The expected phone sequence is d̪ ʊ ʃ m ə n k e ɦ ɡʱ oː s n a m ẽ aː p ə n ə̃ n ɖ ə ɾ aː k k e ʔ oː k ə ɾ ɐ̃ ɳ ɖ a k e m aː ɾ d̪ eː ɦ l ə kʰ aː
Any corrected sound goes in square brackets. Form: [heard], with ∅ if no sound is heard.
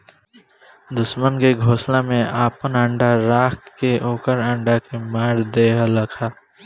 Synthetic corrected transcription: d̪ ʊ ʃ m ə n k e [∅] ɡʱ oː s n a m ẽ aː p ə n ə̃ [ɳ] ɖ [a] ɾ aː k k e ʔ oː k ə ɾ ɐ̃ ɳ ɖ a k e m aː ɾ d̪ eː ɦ l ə kʰ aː